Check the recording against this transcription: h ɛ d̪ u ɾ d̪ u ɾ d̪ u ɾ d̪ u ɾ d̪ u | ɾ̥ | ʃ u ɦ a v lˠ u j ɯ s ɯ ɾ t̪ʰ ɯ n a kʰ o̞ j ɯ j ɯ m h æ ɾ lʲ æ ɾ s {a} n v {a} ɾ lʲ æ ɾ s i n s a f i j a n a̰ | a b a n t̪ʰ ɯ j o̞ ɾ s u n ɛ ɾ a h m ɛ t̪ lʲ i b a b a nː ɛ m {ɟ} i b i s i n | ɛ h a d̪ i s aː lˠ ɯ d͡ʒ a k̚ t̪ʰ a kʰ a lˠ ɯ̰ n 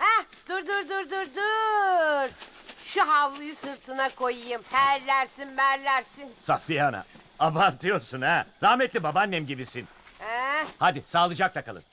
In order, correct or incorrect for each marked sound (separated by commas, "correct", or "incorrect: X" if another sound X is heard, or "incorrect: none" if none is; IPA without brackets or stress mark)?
incorrect: i, incorrect: æ, correct